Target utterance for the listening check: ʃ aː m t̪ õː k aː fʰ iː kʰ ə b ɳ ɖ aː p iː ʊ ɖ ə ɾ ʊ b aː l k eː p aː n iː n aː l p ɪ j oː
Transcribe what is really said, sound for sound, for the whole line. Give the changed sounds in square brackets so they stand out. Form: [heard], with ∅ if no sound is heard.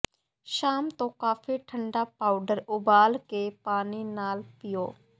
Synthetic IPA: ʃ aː m t̪ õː k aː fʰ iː [ʈʰ] ə [∅] ɳ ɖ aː p [aː] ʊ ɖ ə ɾ ʊ b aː l k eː p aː n iː n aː l p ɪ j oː